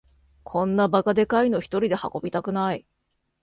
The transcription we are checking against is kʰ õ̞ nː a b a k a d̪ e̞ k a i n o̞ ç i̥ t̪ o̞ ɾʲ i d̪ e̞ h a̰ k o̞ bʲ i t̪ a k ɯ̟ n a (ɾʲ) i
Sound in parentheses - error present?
yes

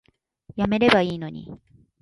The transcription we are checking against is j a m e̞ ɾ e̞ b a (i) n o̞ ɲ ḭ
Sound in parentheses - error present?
yes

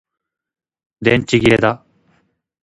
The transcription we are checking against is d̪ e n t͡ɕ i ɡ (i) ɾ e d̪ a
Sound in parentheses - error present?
no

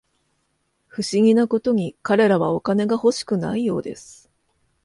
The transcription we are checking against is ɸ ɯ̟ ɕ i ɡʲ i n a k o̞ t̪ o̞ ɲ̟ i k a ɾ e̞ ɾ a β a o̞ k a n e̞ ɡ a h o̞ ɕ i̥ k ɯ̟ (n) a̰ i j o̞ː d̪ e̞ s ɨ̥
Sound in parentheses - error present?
no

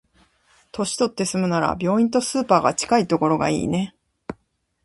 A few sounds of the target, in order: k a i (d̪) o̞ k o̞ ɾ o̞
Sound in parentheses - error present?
yes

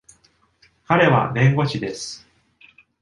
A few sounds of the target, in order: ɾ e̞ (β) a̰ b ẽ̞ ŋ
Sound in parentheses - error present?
no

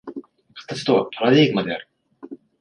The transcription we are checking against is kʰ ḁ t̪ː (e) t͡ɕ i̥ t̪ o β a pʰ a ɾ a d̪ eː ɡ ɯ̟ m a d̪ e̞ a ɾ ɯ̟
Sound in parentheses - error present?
yes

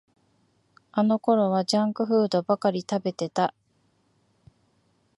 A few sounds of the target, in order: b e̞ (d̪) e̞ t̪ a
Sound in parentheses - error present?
yes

